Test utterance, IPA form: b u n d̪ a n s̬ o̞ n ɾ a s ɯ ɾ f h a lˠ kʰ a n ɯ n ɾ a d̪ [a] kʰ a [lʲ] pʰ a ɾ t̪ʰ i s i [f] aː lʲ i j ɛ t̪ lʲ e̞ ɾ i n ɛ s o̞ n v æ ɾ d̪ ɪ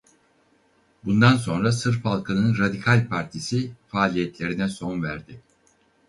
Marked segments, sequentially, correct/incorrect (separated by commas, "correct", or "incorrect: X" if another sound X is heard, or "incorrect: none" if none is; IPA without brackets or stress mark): incorrect: i, correct, correct